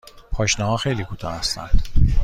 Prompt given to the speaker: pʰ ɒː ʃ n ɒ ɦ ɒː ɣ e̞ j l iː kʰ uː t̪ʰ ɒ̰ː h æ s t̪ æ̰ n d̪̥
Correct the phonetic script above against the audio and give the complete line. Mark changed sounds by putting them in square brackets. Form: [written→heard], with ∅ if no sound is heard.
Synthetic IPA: pʰ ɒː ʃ n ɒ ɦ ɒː [ɣ→x] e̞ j l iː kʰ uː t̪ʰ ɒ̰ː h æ s t̪ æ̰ n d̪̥